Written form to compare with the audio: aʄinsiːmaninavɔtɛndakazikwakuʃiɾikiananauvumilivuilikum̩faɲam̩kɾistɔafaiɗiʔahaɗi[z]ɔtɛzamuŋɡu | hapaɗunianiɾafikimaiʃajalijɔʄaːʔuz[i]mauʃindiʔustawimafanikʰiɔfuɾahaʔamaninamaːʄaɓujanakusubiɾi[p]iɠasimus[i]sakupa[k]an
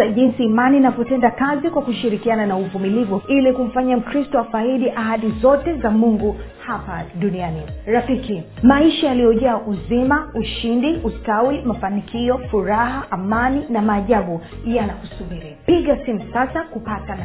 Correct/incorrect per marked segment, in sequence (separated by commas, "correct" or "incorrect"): correct, correct, correct, incorrect, incorrect